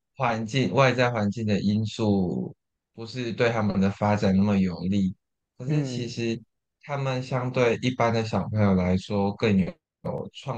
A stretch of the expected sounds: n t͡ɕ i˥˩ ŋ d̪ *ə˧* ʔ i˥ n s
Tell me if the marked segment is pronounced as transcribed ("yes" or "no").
no